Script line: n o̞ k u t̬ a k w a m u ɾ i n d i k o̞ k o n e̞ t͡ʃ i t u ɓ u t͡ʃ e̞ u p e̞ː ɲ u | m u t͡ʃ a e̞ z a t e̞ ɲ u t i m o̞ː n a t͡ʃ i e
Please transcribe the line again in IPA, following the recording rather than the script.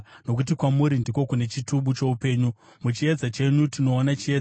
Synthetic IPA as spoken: n o̞ k u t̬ i k w a m u ɾ i n d i k o̞ k u n e̞ t͡ʃ i t u ɓ u t͡ʃ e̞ u p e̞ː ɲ u | m u t͡ʃ i e̞ d͡z a t͡ʃ e̞ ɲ u t i n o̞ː n a t͡ʃ i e